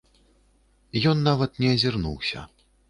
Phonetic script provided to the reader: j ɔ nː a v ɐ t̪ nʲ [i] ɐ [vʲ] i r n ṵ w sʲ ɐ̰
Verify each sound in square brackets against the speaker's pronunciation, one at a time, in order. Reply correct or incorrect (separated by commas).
incorrect, incorrect